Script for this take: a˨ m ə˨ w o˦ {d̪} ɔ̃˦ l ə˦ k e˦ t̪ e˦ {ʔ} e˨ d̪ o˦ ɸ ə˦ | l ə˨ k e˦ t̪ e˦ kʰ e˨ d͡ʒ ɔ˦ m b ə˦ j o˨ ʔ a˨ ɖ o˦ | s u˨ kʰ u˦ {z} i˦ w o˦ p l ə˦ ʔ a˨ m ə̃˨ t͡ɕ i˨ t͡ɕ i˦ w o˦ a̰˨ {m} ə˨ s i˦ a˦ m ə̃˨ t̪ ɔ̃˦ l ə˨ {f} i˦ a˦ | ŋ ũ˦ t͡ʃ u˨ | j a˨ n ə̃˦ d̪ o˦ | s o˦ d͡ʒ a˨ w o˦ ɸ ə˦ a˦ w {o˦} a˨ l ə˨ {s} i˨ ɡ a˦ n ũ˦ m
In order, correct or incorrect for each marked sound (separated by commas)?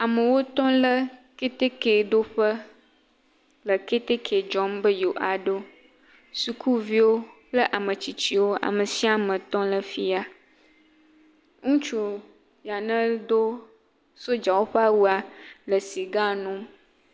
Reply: incorrect, incorrect, incorrect, correct, correct, incorrect, correct